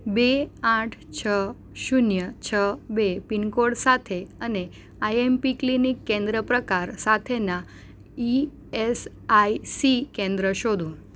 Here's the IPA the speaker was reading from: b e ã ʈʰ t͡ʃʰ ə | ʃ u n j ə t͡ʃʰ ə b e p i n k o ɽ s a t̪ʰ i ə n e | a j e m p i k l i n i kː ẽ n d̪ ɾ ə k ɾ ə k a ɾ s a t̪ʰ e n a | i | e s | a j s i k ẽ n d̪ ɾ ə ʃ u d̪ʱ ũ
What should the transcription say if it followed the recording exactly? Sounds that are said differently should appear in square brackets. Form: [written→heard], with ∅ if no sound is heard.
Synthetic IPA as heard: b e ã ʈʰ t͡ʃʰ ə | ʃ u n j ə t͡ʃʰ ə b e p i n k o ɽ s a t̪ʰ [i→e] ə n e | a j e m p i k l i n i kː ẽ n d̪ ɾ ə [k→p] ɾ ə k a ɾ s a t̪ʰ e n a | i | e s | a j s i k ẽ n d̪ ɾ ə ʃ [u→o] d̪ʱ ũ

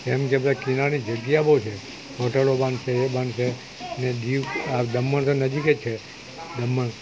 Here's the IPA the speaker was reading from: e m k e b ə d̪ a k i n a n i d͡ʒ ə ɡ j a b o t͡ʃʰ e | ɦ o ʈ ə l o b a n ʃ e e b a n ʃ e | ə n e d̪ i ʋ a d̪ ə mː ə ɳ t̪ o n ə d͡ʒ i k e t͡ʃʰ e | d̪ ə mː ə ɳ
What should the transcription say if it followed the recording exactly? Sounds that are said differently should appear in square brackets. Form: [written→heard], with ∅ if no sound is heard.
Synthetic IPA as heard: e m k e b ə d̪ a k i n a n i d͡ʒ ə ɡ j a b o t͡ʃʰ e | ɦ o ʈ ə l o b a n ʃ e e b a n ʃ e | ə n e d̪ i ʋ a d̪ ə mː ə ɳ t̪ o n ə d͡ʒ i k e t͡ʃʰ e | d̪ ə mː ə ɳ

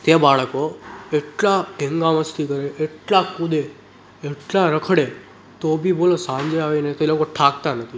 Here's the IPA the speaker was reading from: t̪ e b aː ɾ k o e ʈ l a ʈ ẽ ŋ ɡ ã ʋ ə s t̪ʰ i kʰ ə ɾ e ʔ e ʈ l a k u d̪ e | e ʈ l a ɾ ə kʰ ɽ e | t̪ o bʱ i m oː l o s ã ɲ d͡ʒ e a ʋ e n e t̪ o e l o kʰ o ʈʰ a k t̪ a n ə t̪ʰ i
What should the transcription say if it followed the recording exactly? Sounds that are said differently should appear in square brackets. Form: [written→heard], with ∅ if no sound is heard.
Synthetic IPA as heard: t̪ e b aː [ɾ→ɭ] k o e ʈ l a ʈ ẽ ŋ ɡ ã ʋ ə s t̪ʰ i [kʰ→k] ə ɾ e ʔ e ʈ l a k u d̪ e | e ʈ l a ɾ ə kʰ ɽ e | t̪ o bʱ i [m→b] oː l o s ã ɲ d͡ʒ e a ʋ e n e t̪ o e l o [kʰ→k] o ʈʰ a k t̪ a n ə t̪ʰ i

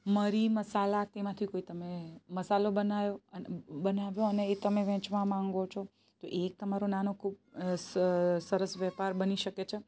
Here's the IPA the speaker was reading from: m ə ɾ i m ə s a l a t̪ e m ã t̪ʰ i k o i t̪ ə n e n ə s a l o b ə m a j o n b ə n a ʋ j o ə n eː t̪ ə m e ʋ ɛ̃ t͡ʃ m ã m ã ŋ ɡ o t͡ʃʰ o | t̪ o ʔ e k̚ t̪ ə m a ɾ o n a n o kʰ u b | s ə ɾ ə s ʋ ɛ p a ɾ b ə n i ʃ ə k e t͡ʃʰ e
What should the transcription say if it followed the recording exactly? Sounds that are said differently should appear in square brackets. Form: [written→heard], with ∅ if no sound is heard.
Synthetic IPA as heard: m ə ɾ i m ə s a l a t̪ e m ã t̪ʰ i k o i t̪ ə [n→m] e [n→m] ə s a l o b ə [m→n] a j o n b ə n a ʋ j o ə n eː t̪ ə m e ʋ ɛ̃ t͡ʃ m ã m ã ŋ ɡ o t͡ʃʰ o | t̪ o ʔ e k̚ t̪ ə m a ɾ o n a n o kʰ u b | s ə ɾ ə s ʋ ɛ p a ɾ b ə n i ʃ ə k e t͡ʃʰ e

